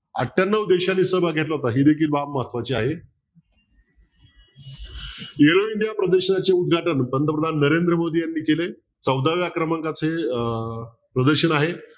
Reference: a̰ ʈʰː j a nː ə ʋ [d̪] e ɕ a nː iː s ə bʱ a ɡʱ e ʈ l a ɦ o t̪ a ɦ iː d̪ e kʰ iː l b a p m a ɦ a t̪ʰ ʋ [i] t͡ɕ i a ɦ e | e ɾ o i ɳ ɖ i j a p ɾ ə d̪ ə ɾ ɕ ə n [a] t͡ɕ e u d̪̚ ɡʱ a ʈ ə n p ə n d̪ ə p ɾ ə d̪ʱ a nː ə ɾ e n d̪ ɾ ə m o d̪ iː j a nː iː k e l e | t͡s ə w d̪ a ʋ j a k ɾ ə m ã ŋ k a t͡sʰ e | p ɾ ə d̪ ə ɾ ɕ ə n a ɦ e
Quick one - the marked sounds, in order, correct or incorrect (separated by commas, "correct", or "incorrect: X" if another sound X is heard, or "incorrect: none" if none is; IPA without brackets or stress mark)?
correct, incorrect: a, correct